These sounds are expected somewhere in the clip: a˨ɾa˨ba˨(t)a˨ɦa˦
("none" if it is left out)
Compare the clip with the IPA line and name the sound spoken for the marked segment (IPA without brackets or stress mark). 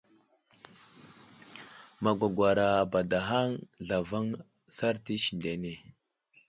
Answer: d